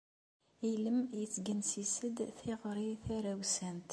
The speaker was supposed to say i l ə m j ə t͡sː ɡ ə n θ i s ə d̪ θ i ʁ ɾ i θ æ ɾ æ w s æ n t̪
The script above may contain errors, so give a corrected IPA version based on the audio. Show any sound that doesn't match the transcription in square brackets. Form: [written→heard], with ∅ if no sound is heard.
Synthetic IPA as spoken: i l ə m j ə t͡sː ɡ ə n [θ→s] i s ə d̪ θ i ʁ ɾ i θ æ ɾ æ w s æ n t̪